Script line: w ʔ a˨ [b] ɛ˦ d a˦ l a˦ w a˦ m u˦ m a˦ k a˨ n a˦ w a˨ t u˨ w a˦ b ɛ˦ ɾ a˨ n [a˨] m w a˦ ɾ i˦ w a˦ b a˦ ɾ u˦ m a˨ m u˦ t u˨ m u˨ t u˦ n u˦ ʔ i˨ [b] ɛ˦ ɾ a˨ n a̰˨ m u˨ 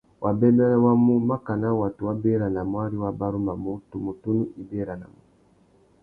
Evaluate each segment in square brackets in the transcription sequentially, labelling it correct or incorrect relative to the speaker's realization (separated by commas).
correct, correct, correct